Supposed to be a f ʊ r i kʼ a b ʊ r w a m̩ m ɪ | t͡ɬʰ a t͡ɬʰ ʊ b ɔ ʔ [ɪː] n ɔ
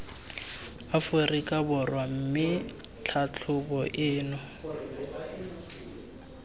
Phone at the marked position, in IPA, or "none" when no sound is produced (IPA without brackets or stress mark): ɪː